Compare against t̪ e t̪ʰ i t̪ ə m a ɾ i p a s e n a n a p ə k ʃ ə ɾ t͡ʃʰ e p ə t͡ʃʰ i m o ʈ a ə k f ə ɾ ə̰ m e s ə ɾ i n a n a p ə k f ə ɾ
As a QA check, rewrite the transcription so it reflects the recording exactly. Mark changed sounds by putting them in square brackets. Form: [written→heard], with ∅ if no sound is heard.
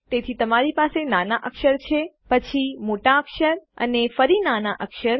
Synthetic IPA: t̪ e t̪ʰ i t̪ ə m a ɾ i p a s e n a n a [p→ʔ] ə k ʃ ə ɾ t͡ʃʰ e p ə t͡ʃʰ i m o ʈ a ə k [f→ʃ] ə ɾ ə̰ [m→n] e [s→f] ə ɾ i n a n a [p→ʔ] ə k [f→ʃ] ə ɾ

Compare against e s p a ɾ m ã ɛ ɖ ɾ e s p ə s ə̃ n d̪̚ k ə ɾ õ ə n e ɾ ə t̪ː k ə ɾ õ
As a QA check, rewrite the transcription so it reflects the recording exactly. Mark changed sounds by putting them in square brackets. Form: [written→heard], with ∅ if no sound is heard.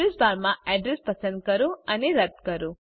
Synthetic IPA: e s [p→b] a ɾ m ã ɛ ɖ ɾ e s p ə s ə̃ n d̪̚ k ə ɾ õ ə n e ɾ ə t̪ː k ə ɾ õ

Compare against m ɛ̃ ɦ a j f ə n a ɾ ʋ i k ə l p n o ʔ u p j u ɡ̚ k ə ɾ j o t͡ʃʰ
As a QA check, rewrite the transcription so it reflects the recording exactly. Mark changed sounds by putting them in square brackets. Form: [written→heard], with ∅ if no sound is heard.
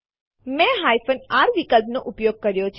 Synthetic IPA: m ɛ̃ ɦ a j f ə n a ɾ ʋ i k ə l p n o ʔ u p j [u→o] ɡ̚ k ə ɾ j o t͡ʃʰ

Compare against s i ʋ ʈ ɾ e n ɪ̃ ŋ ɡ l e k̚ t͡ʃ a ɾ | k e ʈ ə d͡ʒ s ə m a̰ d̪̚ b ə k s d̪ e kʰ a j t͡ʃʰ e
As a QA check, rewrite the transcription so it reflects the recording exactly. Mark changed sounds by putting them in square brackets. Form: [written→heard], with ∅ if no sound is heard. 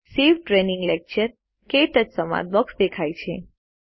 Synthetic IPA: s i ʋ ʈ ɾ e n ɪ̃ ŋ ɡ l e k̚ t͡ʃ [a→ə] ɾ | k e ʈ ə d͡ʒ s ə m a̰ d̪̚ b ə k s d̪ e kʰ a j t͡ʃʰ e

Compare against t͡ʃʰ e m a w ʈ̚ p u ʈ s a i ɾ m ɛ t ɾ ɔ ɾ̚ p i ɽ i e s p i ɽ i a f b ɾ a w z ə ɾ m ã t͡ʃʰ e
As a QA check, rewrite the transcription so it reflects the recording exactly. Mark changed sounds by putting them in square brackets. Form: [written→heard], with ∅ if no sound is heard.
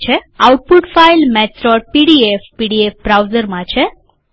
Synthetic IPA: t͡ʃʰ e [m→∅] a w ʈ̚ p u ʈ [s→f] a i [ɾ→l] m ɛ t ɾ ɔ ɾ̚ p i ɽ i e [s→f] p i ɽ i [a→e] f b ɾ a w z ə ɾ m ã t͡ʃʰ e

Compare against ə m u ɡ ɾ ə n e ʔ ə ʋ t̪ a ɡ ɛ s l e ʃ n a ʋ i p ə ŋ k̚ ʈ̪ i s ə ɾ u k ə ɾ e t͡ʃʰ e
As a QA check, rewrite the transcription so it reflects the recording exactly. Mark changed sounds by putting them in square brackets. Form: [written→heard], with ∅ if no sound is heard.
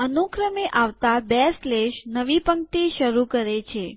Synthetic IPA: ə [m→n] u [ɡ→k] ɾ ə [n→m] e ʔ [ə→a] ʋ t̪ a [ɡ→b] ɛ s l e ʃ n [a→ə] ʋ i p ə ŋ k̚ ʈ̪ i [s→ʃ] ə ɾ u k ə ɾ e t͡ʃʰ e

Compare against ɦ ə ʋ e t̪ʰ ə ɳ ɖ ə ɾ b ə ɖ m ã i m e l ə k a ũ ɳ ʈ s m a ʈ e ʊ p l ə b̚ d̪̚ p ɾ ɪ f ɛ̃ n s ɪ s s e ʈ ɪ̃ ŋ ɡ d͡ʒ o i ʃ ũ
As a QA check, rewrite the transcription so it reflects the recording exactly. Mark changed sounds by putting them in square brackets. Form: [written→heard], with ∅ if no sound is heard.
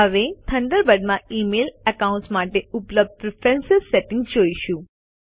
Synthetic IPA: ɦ ə ʋ e t̪ʰ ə ɳ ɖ ə ɾ b ə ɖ m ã i m e l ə k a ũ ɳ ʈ s m a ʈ e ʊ p l ə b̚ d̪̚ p ɾ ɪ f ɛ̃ n s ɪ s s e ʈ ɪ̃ ŋ ɡ d͡ʒ o i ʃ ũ

